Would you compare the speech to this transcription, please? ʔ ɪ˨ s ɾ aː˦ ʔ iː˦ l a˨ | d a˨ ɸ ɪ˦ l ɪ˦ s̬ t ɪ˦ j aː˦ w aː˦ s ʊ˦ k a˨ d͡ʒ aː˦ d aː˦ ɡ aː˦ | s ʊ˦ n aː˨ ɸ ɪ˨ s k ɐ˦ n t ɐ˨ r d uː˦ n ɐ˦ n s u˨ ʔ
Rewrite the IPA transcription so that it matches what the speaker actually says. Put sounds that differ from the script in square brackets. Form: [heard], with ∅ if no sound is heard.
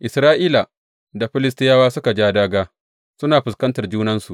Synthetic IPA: ʔ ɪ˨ s ɾ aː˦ ʔ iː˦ l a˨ | d a˨ ɸ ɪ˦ l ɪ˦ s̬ t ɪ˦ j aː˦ w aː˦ s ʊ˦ k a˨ d͡ʒ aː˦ d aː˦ ɡ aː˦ | s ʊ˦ n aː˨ ɸ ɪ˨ s k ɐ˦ n t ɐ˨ r [d͡ʒ] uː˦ n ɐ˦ n s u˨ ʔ